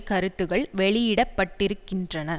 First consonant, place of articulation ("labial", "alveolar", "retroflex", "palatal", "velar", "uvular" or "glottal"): velar